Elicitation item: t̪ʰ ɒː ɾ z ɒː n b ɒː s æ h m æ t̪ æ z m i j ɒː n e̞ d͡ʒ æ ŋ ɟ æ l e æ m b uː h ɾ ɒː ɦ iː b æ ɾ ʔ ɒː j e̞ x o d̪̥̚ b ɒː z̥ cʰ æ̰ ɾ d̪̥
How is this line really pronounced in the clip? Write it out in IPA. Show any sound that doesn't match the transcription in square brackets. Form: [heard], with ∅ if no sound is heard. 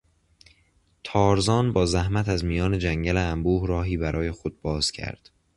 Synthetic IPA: t̪ʰ ɒː ɾ z ɒː n b ɒː [z] æ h m æ t̪ æ z m i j ɒː n e̞ d͡ʒ æ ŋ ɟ æ l e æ m b uː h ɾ ɒː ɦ iː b æ ɾ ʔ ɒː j e̞ x o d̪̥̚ b ɒː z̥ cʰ æ̰ ɾ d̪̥